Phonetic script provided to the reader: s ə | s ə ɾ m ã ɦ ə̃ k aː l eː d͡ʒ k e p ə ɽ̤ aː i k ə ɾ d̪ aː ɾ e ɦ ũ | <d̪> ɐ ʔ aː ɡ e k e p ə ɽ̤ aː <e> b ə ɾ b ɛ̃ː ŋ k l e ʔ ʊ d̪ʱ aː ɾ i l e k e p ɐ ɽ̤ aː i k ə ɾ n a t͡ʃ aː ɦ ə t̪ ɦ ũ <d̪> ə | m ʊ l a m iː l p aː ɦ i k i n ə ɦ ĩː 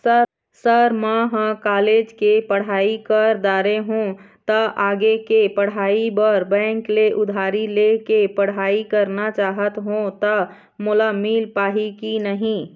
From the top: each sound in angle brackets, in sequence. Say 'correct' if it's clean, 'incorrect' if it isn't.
incorrect: t̪, incorrect: i, incorrect: t̪

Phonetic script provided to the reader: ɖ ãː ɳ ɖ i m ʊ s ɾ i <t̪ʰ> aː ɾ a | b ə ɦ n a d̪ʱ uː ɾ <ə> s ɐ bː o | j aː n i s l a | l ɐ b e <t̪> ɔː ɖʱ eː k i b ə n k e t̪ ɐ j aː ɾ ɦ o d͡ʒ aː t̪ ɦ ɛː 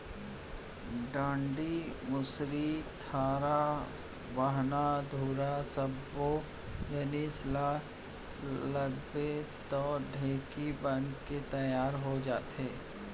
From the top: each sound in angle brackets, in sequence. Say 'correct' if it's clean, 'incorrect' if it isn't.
correct, incorrect: a, correct

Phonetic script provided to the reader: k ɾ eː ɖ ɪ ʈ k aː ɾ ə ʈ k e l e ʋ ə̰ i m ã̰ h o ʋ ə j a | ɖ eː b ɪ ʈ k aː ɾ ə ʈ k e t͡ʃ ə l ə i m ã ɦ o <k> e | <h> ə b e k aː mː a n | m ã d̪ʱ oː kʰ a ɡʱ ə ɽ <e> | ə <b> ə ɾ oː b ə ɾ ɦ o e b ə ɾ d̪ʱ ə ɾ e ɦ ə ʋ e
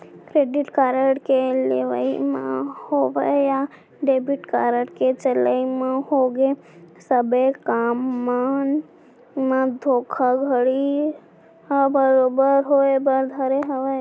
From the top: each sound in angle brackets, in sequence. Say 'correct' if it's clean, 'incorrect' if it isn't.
incorrect: ɡ, incorrect: s, incorrect: i, correct

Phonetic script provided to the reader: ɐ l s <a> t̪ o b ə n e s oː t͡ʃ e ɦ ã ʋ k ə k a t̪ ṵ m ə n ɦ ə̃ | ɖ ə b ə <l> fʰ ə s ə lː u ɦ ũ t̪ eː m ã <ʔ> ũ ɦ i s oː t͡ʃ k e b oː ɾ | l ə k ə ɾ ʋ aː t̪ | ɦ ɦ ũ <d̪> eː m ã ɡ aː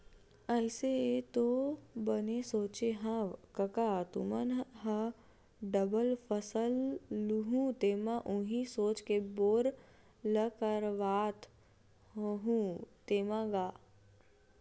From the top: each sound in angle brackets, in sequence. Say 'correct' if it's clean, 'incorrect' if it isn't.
incorrect: e, correct, correct, incorrect: t̪

